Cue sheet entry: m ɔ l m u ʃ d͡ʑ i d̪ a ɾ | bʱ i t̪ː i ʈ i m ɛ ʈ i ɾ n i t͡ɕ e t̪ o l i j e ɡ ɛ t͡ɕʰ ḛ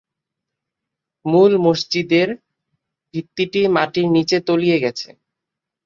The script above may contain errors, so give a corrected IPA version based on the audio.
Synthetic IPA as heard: m u l m o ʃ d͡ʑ i d̪ e ɾ | bʱ i t̪ː i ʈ i m a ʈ i ɾ n i t͡ɕ e t̪ o l i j e ɡ ɛ t͡ɕʰ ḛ